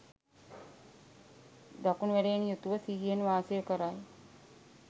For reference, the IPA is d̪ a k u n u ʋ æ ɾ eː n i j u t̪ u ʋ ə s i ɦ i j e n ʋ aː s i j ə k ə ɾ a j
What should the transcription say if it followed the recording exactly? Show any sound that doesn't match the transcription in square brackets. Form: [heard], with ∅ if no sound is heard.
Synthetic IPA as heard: d̪ a k u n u ʋ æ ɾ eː n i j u t̪ u ʋ ə s i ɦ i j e n ʋ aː s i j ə k ə ɾ a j